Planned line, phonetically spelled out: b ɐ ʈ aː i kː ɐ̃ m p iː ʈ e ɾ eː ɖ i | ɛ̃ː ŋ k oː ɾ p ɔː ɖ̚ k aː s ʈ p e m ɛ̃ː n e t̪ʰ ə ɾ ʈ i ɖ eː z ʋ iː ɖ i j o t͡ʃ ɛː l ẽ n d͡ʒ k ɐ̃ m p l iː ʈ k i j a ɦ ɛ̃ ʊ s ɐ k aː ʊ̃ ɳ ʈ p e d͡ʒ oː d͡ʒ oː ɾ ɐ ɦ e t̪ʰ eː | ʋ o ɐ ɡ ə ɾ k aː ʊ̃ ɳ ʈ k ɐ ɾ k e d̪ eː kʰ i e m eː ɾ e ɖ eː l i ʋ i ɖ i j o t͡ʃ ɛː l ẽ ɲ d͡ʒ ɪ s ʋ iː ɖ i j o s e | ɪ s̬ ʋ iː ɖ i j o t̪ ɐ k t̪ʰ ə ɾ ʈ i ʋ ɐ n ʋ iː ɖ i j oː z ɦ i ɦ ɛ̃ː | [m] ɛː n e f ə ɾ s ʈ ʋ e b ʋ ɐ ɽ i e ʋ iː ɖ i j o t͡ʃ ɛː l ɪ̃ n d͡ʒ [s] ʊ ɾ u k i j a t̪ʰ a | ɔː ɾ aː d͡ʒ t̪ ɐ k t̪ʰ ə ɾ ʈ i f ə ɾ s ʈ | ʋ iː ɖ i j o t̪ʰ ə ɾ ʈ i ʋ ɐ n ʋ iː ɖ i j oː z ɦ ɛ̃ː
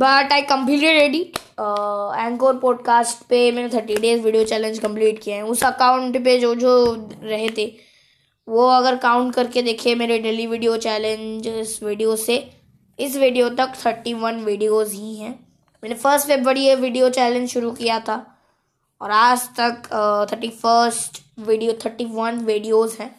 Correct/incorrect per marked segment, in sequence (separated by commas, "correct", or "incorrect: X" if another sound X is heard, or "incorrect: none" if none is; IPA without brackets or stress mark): correct, incorrect: ʃ